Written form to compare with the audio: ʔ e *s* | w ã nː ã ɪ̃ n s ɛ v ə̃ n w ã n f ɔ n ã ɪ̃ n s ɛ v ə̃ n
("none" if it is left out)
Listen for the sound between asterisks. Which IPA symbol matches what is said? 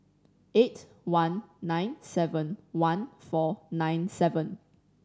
t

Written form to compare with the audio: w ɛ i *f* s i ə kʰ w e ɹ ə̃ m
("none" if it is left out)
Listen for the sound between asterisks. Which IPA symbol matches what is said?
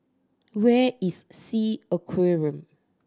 s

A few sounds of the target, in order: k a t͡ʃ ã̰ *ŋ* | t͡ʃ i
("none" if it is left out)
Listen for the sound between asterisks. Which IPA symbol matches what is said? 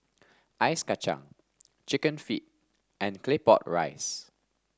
ŋ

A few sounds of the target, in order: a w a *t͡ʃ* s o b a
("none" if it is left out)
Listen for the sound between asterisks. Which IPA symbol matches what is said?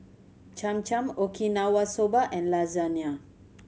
none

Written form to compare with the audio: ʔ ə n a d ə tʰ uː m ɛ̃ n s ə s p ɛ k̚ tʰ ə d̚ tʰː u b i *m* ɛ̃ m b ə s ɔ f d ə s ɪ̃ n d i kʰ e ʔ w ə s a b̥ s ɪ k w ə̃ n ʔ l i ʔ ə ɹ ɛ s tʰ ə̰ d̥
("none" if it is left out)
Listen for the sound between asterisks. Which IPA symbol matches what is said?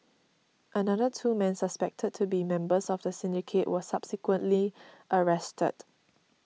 m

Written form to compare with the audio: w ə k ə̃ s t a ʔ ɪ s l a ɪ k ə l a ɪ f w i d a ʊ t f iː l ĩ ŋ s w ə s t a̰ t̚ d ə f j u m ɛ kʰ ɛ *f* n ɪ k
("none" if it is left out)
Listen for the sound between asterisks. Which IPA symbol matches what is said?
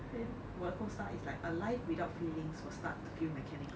none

